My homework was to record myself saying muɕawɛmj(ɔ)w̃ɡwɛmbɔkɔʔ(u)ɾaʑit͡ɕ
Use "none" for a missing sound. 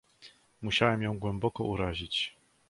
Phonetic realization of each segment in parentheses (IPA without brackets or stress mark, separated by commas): ɔ̃, u